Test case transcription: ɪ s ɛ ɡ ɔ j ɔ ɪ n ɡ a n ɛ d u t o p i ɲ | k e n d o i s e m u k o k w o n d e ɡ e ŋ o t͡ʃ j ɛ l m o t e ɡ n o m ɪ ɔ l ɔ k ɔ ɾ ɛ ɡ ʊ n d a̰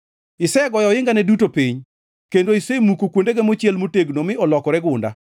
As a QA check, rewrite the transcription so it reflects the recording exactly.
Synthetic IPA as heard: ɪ s ɛ ɡ ɔ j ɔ ɪ ŋ ɡ a n ɛ d u t o p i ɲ | k e n d o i s e m u k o k w o n d e ɡ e m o t͡ʃ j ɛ l m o t e ɡ n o m ɪ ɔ l ɔ k ɔ ɾ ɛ ɡ ʊ n d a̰